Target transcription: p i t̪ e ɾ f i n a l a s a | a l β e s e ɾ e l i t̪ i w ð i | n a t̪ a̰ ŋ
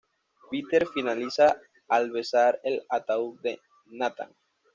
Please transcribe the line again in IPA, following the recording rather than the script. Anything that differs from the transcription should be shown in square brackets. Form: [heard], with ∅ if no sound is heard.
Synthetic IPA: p i t̪ e ɾ f i n a l [i] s a | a l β e s [a] ɾ e l [a] t̪ [a] w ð [e] | n a t̪ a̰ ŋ

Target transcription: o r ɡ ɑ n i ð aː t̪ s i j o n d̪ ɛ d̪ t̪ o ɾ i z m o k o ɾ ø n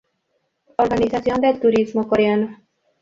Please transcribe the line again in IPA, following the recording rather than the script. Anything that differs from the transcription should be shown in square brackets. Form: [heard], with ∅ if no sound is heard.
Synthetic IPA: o r ɡ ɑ n i [z] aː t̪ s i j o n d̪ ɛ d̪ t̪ [u] ɾ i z m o k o ɾ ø n

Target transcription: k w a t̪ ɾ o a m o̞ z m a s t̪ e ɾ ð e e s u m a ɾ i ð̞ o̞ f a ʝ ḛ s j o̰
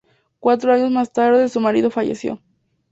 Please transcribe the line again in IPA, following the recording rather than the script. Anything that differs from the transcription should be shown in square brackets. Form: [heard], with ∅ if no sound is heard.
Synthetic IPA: k w a t̪ ɾ o a [ɲ] o̞ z m a s t̪ [a] ɾ ð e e s u m a ɾ i ð̞ o̞ f a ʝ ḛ s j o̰

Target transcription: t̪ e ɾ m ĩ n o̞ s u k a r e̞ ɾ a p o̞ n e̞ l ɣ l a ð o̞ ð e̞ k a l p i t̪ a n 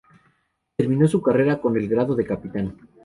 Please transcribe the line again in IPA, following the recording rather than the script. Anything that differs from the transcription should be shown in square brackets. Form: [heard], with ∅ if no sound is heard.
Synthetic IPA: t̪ e ɾ m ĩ n o̞ s u k a r e̞ ɾ a [k] o̞ n e̞ l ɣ [ɾ] a ð o̞ ð e̞ k a [∅] p i t̪ a n

